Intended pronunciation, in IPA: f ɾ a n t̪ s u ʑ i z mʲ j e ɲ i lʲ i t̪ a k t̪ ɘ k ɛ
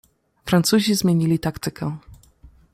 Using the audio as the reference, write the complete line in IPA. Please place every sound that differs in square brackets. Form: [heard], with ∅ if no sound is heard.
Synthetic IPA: f ɾ a n t̪ s u ʑ i z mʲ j e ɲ i lʲ i t̪ a k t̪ ɘ k ɛ